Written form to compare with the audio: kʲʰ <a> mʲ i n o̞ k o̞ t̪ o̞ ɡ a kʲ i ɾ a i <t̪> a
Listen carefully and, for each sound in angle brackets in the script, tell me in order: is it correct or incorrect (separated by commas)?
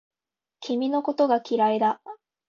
incorrect, incorrect